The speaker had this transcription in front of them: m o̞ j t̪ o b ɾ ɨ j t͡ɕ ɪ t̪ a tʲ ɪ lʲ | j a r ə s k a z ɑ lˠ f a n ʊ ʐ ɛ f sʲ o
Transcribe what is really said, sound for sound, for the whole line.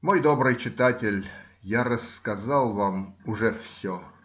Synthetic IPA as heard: m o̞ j d̪ o b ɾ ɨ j t͡ɕ ɪ t̪ a tʲ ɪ lʲ | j a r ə s k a z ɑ lˠ v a m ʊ ʐ ɛ f sʲ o